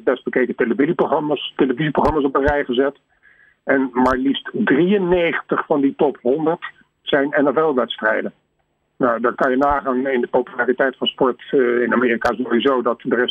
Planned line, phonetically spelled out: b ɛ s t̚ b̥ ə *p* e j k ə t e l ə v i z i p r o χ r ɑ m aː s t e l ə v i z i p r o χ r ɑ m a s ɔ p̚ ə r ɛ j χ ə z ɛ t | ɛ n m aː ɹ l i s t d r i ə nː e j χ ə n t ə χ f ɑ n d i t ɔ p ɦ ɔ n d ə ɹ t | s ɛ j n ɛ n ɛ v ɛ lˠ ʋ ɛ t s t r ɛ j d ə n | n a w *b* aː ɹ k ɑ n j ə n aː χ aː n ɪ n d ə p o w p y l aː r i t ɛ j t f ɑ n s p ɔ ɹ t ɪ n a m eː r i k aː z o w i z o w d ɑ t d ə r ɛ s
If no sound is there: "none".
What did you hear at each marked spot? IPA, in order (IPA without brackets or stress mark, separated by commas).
k, d